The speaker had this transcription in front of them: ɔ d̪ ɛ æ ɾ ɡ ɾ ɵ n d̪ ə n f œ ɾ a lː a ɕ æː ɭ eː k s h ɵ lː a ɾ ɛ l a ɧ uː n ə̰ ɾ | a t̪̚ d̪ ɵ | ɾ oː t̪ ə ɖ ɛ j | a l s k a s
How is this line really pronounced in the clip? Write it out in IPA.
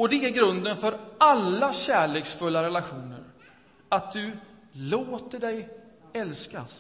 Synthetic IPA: ɔ d̪ ɛ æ ɾ ɡ ɾ ɵ n d̪ ə n f œ ɾ a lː a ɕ æː ɭ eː k s f ɵ lː a ɾ ɛ l a ɧ uː n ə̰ ɾ | a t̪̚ d̪ ɵ | l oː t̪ ə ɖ ɛ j | ɛ l s k a s